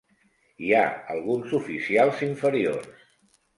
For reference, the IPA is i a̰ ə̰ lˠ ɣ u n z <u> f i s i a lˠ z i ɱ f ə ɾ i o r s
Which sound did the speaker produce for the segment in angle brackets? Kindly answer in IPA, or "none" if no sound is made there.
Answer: u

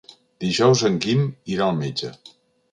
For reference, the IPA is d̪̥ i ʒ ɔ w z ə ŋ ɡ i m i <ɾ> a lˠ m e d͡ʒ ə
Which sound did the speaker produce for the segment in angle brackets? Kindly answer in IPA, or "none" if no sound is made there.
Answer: ɾ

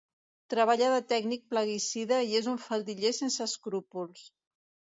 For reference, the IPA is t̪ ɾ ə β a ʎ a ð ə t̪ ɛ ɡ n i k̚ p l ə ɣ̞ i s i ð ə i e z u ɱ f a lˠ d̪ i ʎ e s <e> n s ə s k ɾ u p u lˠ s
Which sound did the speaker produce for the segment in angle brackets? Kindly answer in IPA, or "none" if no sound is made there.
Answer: e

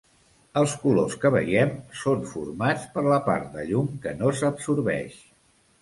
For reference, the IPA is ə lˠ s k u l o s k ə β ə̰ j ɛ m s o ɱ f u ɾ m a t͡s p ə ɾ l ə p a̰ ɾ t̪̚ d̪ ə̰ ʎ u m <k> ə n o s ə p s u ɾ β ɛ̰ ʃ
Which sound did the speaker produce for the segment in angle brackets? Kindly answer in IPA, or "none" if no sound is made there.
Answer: k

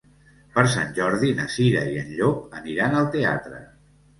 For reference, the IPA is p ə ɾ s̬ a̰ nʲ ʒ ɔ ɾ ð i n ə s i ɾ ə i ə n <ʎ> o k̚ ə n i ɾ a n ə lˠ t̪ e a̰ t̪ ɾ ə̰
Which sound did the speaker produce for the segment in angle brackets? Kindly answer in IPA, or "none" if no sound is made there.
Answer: ʎ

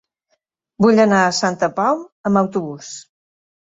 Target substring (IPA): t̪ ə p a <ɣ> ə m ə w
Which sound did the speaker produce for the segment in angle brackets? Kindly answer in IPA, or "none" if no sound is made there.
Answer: w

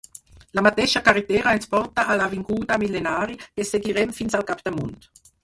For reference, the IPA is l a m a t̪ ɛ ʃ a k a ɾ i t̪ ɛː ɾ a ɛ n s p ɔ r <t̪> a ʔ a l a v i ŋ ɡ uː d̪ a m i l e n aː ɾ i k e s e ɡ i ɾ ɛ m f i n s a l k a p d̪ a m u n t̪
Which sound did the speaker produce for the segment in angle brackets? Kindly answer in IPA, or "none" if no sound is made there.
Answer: t̪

